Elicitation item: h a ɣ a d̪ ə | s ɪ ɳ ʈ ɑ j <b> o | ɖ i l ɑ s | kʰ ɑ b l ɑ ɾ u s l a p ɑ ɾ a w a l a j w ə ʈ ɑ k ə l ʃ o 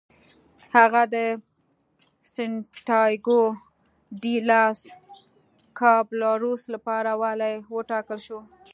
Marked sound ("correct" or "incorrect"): incorrect